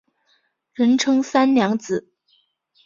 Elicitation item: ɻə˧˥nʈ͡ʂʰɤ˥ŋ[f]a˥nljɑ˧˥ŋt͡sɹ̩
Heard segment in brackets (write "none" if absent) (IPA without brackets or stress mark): s